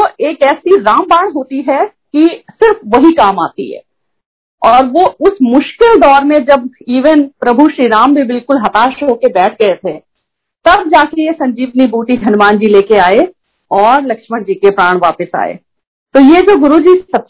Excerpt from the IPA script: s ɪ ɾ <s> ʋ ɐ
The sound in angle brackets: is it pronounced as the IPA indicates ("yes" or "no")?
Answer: no